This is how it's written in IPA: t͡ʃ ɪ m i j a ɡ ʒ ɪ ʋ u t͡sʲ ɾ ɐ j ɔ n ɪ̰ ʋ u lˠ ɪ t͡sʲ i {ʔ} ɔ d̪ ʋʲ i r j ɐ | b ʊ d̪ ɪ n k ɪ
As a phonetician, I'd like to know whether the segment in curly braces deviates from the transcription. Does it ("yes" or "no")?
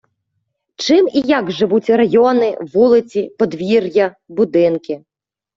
yes